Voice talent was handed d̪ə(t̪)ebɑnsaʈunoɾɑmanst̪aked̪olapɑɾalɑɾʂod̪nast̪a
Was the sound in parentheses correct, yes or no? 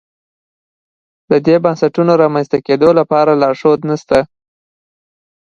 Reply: no